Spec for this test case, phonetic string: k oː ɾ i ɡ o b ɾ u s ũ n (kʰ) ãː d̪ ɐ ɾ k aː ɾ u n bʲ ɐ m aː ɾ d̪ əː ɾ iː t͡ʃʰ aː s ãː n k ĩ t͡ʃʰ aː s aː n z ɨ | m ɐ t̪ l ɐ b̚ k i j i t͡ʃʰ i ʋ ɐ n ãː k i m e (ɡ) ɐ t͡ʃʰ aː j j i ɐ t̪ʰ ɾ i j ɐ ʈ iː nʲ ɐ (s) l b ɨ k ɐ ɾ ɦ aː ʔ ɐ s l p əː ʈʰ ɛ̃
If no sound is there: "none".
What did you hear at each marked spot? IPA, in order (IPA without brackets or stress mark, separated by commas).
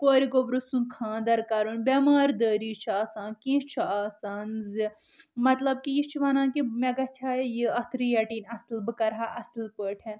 kʰ, ɡ, s